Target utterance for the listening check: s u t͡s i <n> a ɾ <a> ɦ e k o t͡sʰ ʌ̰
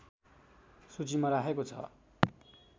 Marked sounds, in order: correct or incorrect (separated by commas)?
incorrect, correct